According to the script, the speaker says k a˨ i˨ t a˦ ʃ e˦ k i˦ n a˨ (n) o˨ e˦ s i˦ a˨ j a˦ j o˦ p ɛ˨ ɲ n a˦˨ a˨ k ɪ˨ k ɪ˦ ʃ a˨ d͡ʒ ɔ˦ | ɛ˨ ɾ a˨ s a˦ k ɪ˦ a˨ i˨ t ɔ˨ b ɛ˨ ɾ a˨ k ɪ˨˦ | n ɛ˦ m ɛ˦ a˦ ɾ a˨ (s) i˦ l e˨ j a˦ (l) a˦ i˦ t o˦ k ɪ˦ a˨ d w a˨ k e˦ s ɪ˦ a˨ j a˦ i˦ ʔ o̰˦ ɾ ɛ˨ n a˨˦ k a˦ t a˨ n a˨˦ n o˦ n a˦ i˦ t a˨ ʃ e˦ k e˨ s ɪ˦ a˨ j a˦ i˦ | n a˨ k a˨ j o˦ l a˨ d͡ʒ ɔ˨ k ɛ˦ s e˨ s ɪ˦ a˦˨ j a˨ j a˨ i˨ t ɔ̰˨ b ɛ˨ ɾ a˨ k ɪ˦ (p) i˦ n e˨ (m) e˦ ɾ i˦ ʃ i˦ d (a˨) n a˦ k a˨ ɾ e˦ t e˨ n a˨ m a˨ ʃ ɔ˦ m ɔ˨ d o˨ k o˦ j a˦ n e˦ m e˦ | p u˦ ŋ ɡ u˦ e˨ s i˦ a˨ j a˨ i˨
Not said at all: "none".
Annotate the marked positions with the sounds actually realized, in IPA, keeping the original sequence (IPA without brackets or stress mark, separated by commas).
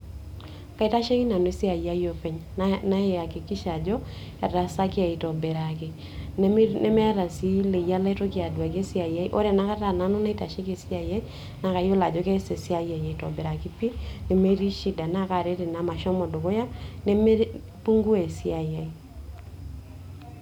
n, s, l, p, m, a˨